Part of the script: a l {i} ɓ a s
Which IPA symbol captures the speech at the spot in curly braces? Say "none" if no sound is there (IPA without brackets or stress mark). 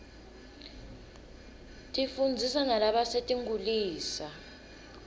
a